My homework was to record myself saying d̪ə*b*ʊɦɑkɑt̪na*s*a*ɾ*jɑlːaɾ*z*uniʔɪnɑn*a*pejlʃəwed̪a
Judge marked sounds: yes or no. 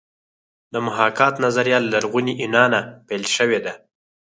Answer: no, no, yes, no, yes

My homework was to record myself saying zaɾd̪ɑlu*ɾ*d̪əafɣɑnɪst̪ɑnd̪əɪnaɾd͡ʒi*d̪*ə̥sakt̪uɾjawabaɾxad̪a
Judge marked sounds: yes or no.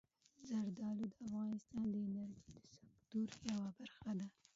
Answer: no, yes

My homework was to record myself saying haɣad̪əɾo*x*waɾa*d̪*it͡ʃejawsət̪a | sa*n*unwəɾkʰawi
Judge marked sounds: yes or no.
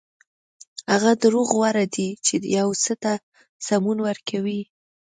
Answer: no, yes, no

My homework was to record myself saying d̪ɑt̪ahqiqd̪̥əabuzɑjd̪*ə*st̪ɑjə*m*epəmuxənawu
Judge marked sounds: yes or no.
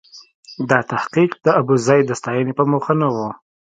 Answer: yes, no

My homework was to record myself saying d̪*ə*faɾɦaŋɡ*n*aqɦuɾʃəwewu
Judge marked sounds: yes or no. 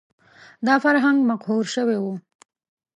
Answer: no, no

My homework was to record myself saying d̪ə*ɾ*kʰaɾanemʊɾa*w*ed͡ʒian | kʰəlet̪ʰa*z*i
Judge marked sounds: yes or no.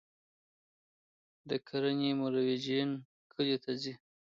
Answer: no, yes, yes

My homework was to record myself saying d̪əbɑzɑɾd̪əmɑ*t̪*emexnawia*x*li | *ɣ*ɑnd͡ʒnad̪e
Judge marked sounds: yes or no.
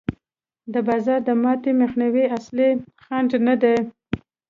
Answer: yes, no, no

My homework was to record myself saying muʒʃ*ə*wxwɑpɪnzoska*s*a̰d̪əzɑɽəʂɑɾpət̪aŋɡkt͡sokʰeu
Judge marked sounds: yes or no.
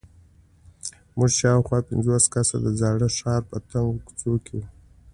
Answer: no, yes

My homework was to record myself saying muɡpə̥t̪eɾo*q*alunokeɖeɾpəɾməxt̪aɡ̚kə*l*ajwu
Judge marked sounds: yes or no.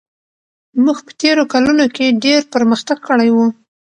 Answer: no, no

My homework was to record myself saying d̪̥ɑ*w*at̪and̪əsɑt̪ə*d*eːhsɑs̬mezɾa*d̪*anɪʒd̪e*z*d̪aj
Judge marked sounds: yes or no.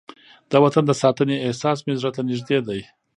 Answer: yes, no, no, no

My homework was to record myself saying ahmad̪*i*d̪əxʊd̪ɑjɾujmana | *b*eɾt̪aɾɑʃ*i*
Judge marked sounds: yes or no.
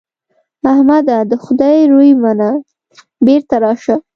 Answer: no, yes, no

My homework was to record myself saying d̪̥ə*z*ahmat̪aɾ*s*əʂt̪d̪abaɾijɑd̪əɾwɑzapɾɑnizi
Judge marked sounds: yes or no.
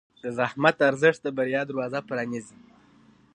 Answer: yes, no

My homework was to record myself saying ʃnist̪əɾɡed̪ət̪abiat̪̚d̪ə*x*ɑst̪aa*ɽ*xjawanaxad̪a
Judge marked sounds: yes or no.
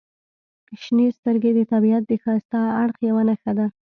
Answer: yes, yes

